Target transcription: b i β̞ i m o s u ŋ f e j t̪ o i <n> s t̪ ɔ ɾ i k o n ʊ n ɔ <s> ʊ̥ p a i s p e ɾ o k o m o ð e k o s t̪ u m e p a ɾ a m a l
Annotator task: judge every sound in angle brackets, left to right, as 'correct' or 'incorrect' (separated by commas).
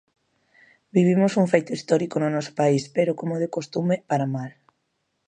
incorrect, correct